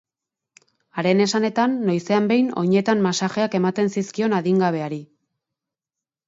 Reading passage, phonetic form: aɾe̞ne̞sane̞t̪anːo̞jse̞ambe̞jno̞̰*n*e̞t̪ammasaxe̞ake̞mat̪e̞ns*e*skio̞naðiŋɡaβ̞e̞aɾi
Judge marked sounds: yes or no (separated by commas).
no, no